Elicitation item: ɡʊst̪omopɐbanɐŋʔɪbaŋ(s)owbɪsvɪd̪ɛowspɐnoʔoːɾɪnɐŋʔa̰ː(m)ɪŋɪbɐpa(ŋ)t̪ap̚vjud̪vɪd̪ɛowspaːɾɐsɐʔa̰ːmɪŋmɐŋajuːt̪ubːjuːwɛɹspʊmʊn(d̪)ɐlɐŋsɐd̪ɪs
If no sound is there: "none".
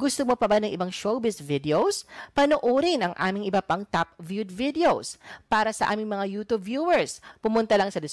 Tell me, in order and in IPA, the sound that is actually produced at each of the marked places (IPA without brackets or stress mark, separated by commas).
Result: ʃ, m, ŋ, t̪